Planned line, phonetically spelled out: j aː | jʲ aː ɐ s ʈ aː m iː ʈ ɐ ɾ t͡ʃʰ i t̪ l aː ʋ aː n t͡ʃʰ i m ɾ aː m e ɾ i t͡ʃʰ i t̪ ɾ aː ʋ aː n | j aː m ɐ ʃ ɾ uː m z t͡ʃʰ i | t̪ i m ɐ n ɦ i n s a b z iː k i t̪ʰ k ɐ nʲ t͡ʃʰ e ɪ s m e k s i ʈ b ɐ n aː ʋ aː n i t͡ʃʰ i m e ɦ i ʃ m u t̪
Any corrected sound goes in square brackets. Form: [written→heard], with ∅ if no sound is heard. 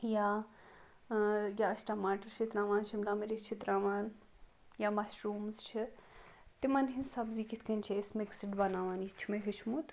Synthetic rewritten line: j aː | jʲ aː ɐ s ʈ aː m [iː→aː] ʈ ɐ ɾ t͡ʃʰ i t̪ [l→ɾ] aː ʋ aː n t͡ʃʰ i m [ɾ→l] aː m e ɾ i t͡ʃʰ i t̪ ɾ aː ʋ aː n | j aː m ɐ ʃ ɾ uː m z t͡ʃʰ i | t̪ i m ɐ n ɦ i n s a b z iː k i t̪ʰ k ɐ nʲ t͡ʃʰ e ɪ s m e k s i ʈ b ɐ n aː ʋ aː n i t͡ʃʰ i m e ɦ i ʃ m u t̪